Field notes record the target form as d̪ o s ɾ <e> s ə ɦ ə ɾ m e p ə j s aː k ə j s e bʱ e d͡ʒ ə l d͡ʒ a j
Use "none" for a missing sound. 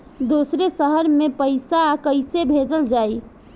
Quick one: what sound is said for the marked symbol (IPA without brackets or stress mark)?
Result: e